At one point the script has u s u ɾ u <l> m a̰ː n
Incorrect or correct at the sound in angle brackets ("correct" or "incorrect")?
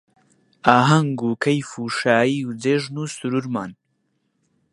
incorrect